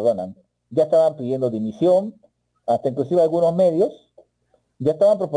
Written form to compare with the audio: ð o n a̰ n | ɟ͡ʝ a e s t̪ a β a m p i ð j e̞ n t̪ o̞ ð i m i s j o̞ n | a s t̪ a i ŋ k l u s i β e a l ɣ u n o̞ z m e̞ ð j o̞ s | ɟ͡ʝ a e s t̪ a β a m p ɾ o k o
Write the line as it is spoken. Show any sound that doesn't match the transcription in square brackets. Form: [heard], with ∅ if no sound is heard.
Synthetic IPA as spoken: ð o n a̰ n | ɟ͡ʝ a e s t̪ a β a m p i ð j e̞ n [d̪] o̞ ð i m i s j o̞ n | a s t̪ a i ŋ k l u s i β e a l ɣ u n o̞ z m e̞ ð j o̞ s | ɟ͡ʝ a e s t̪ a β a m p ɾ o [p] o